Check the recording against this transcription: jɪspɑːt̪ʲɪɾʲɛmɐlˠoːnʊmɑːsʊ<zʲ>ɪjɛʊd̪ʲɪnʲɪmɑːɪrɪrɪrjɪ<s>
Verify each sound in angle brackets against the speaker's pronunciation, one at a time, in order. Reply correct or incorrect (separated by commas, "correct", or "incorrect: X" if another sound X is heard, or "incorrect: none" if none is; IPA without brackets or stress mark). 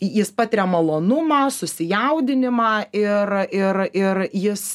incorrect: sʲ, correct